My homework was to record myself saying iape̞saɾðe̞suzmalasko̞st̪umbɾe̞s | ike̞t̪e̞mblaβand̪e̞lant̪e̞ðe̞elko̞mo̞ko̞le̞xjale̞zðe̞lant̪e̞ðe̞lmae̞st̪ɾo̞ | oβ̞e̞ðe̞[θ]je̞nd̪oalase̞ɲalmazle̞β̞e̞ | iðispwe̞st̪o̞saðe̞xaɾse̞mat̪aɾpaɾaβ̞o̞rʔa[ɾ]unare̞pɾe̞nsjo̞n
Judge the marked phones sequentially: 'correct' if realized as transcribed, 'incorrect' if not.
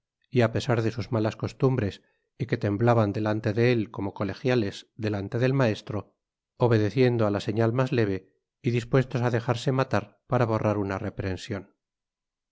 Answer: correct, correct

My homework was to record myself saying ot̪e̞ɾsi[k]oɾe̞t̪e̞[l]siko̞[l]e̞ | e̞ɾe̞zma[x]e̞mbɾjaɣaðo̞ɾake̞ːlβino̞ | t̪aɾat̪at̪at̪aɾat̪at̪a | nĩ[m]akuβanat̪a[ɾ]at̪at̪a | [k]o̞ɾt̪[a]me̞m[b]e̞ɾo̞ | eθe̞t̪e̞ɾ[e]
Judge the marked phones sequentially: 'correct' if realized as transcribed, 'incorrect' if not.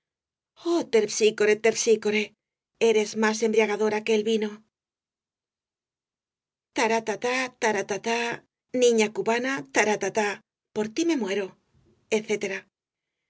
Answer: correct, incorrect: ɾ, incorrect: ɾ, incorrect: s, incorrect: ɲ, correct, incorrect: p, incorrect: i, incorrect: w, incorrect: a

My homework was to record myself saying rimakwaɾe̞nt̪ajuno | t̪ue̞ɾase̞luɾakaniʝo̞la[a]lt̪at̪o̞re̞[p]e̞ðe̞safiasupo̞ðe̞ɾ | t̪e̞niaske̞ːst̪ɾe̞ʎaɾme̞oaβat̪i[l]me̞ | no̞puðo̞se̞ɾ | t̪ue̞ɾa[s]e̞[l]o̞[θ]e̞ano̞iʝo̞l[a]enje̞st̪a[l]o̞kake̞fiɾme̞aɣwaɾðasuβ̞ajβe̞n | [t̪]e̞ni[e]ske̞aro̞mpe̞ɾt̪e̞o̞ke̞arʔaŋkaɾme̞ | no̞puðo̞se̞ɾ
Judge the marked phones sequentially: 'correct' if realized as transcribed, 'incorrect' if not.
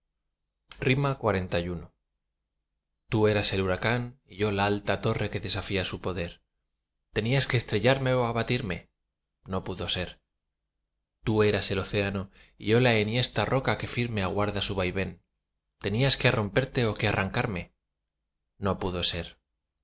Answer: correct, incorrect: k, incorrect: ɾ, correct, correct, correct, correct, incorrect: r, correct, incorrect: a

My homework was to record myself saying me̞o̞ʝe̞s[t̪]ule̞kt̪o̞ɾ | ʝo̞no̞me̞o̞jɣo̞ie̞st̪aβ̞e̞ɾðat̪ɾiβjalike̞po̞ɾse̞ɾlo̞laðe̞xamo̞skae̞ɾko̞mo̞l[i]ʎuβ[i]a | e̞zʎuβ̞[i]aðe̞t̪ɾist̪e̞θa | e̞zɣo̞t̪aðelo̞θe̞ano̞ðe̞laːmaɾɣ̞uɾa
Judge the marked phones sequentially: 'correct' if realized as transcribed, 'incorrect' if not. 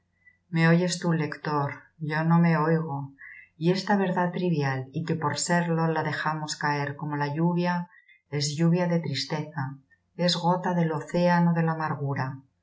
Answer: correct, incorrect: a, incorrect: j, incorrect: j

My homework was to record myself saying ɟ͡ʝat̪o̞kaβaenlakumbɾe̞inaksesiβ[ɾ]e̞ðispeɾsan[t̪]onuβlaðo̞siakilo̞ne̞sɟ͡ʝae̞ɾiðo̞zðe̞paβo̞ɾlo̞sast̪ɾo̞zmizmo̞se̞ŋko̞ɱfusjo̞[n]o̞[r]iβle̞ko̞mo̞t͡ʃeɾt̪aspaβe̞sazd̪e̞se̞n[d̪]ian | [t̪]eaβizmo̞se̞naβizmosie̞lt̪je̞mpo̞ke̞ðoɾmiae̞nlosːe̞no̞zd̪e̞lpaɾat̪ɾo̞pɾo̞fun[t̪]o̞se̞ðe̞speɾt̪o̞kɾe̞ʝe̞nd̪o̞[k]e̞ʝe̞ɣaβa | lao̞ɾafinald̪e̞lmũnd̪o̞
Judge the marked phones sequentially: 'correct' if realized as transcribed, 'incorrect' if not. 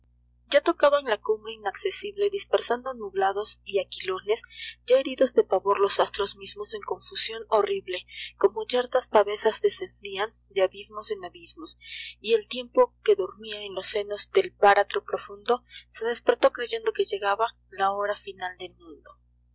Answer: incorrect: l, incorrect: d̪, correct, correct, correct, incorrect: d̪, incorrect: d̪, correct

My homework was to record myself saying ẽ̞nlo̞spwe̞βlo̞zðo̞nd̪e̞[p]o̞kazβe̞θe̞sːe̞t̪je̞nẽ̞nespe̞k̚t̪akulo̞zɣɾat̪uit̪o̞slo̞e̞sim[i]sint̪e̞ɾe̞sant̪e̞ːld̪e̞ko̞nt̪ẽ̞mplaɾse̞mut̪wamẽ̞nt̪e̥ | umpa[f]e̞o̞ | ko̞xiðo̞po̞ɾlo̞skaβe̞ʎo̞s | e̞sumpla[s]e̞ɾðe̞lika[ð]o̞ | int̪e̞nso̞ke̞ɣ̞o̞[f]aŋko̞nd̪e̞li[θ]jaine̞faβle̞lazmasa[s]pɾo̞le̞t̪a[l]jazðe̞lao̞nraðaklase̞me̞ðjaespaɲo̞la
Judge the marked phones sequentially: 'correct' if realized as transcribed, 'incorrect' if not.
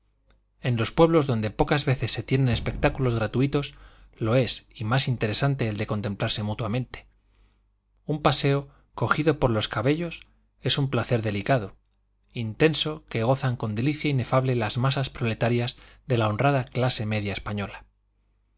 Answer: correct, incorrect: a, incorrect: s, incorrect: θ, correct, incorrect: θ, correct, correct, incorrect: ɾ

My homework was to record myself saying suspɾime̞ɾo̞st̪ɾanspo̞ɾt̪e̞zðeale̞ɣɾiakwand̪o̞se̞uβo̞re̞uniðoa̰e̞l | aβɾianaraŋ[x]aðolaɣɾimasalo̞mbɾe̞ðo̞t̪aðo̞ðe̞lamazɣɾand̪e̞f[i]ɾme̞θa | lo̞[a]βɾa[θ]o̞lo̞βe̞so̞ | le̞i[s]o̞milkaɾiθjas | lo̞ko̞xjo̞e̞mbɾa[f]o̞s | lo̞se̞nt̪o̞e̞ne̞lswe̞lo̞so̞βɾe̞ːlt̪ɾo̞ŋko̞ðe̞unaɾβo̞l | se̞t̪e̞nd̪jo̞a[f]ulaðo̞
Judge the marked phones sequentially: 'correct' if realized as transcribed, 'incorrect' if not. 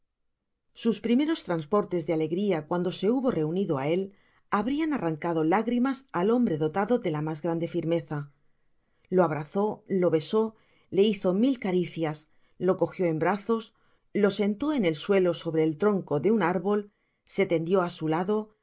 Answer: incorrect: k, correct, correct, correct, incorrect: θ, incorrect: θ, incorrect: s

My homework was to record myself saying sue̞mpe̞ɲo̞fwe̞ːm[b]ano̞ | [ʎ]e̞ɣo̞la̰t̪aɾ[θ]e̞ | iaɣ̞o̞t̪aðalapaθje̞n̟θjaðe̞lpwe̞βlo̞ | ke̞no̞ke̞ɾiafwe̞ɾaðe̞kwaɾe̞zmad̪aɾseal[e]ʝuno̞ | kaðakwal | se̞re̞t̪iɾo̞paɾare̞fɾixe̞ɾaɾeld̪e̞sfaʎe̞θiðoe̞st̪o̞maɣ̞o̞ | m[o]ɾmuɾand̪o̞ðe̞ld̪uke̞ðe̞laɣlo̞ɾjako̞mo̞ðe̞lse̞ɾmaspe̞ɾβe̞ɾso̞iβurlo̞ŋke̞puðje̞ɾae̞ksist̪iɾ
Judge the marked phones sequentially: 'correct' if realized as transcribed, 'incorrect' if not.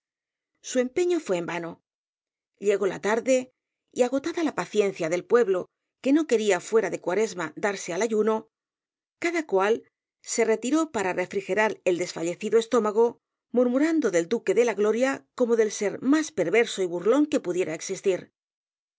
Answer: correct, correct, incorrect: ð, incorrect: a, incorrect: u

